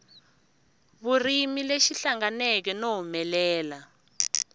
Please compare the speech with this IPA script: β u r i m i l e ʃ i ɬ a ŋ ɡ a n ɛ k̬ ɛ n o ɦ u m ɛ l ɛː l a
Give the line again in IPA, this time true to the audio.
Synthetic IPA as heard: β u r i m i l e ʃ i ɬ a ŋ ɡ a n ɛ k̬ ɛ n o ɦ u m ɛ l ɛː l a